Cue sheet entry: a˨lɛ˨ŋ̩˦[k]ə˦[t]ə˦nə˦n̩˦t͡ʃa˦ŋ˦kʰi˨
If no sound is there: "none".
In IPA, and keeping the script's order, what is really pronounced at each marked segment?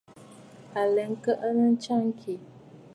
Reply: k, ʔ

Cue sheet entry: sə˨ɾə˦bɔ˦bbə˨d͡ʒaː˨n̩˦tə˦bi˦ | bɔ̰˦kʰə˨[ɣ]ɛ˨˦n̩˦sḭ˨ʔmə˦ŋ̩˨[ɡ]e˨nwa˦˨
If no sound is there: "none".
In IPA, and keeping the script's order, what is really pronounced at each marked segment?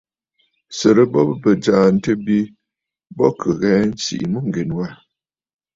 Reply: ɣ, ɡ

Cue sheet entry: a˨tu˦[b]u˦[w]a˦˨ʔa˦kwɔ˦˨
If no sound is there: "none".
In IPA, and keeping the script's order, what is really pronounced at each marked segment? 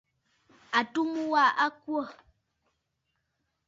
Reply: m, w

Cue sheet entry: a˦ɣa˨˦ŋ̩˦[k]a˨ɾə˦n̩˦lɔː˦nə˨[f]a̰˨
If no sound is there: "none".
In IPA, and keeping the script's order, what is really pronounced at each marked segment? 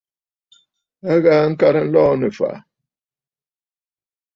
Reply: k, f

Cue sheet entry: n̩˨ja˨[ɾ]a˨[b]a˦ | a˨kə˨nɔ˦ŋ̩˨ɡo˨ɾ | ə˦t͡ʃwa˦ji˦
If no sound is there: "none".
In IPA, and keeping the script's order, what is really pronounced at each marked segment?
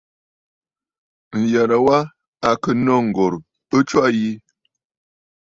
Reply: ɾ, w

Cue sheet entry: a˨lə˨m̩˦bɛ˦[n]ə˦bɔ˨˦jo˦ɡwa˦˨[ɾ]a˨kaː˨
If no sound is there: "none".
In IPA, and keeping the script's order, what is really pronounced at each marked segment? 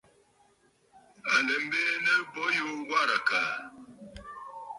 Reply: n, ɾ

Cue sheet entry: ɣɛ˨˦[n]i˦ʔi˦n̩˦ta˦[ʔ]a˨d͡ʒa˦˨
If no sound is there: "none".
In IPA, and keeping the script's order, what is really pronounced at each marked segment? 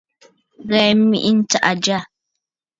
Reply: m, ʔ

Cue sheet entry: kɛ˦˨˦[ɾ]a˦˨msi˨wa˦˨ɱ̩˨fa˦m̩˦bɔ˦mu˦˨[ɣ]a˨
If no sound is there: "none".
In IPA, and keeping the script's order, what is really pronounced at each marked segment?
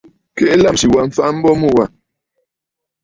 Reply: l, w

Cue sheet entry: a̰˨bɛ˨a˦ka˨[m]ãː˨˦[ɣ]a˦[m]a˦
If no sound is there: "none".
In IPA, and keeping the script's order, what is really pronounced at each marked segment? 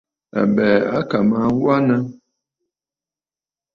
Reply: m, w, n

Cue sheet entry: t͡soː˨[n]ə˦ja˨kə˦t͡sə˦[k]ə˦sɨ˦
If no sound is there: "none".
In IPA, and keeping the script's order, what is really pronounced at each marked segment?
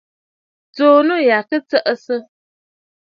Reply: n, ʔ

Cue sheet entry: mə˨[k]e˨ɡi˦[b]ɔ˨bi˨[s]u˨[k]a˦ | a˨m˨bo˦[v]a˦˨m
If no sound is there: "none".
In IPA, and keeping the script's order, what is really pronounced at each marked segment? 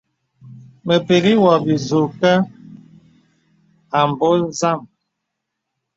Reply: p, w, z, k, z

